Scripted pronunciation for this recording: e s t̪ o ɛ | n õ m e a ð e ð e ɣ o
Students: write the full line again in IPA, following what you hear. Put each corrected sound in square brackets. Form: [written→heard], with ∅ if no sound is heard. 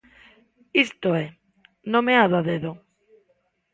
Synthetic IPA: [e→i] s t̪ o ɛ | n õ m e a ð [e→a] ð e [ɣ→ð] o